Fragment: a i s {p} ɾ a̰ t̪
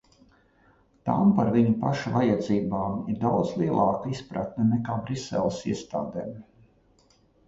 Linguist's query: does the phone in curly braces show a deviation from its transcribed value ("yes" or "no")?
no